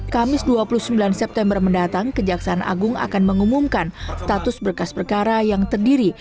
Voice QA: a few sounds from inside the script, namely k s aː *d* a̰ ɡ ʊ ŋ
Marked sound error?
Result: yes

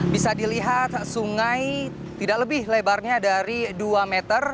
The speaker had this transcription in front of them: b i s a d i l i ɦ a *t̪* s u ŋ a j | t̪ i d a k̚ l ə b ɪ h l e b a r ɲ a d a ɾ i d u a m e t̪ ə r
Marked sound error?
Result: no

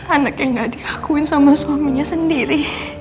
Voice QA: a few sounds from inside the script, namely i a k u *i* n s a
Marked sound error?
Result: yes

